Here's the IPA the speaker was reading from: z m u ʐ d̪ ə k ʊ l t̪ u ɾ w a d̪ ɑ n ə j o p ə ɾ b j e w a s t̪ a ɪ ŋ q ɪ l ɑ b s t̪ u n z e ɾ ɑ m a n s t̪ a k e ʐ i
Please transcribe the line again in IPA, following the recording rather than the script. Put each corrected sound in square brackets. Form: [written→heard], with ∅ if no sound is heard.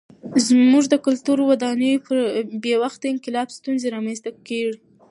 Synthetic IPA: z m u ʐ d̪ ə k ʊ l t̪ u ɾ w a d̪ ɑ n ə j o p ə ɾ b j e w a [s→x] t̪ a ɪ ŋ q ɪ l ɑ b s t̪ u n z e ɾ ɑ m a n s t̪ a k e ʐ i